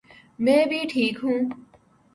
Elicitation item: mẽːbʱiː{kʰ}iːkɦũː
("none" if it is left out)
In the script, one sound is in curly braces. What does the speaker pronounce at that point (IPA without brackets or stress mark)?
ʈʰ